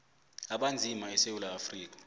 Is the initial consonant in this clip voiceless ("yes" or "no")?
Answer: no